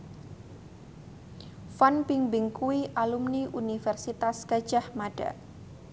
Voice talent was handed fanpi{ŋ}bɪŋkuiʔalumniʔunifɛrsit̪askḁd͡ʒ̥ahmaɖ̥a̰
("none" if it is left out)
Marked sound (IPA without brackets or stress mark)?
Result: ŋ